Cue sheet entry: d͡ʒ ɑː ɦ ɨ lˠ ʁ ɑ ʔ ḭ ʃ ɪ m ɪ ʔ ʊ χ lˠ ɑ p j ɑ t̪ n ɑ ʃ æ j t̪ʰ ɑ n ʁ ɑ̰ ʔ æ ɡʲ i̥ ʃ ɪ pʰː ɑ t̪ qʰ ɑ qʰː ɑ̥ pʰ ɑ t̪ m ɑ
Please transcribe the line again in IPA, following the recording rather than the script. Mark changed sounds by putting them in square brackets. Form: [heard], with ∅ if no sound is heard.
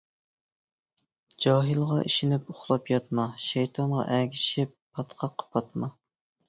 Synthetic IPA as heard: d͡ʒ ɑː ɦ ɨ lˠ ʁ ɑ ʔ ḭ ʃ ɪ [n] ɪ [p] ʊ χ lˠ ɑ p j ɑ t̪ [m] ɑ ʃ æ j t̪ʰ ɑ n ʁ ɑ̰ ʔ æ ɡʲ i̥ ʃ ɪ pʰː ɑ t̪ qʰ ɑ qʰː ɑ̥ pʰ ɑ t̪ m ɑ